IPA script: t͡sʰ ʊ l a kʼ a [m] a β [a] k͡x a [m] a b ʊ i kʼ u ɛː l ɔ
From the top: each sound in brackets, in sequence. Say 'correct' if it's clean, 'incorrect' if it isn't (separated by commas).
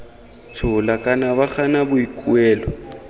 incorrect, correct, incorrect